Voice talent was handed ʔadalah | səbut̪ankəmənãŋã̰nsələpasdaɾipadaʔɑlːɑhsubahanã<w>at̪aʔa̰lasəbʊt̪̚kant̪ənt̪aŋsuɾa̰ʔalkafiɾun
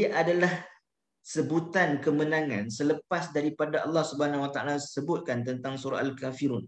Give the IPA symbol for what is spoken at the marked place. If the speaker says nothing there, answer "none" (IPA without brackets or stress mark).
w